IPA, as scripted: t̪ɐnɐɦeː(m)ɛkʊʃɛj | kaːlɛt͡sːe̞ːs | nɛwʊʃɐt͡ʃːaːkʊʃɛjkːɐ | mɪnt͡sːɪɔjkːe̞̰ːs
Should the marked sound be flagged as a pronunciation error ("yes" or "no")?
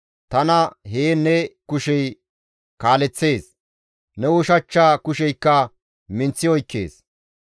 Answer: yes